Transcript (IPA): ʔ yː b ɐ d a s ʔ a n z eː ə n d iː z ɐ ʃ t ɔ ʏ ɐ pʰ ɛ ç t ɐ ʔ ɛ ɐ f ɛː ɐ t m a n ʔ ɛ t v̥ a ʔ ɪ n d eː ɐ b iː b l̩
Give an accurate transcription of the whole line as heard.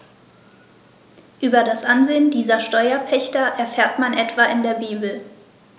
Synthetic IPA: ʔ yː b ɐ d a s ʔ a n z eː ə n d iː z ɐ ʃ t ɔ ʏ ɐ pʰ ɛ ç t ɐ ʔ ɛ ɐ f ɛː ɐ t m a n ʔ ɛ t v̥ a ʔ ɪ n d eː ɐ b iː b l̩